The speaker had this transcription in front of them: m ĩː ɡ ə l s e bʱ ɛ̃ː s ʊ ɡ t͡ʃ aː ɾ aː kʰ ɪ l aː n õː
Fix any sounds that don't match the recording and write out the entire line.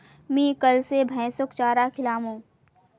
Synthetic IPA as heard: m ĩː k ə l s e bʱ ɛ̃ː s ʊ k t͡ʃ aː ɾ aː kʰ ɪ l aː m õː